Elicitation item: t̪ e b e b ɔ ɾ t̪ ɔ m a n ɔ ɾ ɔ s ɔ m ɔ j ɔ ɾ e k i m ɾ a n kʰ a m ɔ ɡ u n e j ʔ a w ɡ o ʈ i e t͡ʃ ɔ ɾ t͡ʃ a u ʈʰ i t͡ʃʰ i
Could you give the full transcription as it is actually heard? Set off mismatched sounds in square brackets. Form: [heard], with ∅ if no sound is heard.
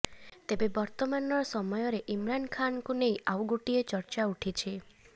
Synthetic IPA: t̪ e b e b ɔ ɾ t̪ ɔ m a n ɔ ɾ ɔ s ɔ m ɔ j ɔ ɾ e [ʔ] i m ɾ a n kʰ a [n] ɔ [k] u n e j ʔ a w ɡ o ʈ i e t͡ʃ ɔ ɾ t͡ʃ a u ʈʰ i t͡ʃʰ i